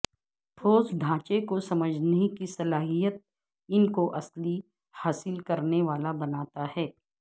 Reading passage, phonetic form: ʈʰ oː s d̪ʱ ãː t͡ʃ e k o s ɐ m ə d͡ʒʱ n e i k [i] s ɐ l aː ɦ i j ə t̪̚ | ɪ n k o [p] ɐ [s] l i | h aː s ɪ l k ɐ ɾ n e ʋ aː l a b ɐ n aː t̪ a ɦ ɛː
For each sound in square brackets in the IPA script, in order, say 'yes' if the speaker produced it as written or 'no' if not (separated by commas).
yes, no, yes